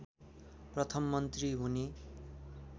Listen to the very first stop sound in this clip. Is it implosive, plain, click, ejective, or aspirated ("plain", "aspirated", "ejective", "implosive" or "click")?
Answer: plain